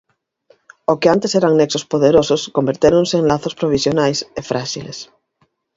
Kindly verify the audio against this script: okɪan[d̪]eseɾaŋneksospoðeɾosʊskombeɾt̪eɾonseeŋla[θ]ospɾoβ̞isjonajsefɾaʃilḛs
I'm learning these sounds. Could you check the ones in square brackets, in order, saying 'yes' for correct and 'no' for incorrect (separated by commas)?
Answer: no, yes